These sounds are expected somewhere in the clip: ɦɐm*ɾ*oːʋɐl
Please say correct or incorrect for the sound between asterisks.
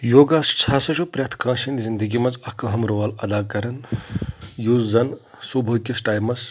correct